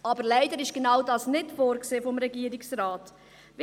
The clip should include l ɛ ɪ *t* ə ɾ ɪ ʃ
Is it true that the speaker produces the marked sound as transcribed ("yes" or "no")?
no